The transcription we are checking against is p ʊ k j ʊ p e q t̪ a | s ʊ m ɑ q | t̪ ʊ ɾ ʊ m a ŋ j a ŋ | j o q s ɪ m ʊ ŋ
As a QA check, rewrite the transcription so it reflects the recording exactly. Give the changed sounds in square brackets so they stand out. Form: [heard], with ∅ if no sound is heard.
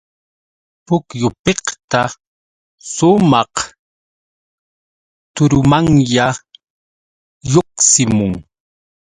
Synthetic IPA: p ʊ k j ʊ p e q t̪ a | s ʊ m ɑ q | t̪ ʊ ɾ ʊ m a ŋ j a [∅] | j o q s ɪ m ʊ ŋ